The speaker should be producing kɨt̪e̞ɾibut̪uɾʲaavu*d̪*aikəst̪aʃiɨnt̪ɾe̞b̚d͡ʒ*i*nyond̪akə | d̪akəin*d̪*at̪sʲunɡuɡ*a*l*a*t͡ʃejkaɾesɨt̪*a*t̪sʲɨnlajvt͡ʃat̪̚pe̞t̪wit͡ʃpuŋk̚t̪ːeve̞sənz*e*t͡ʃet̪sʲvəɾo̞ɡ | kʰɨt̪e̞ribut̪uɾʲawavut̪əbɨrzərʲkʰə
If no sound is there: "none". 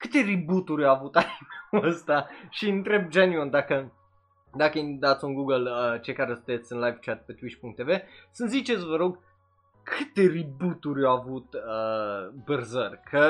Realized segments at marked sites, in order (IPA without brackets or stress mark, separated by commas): t̪, e, d̪, ə, ə, e, i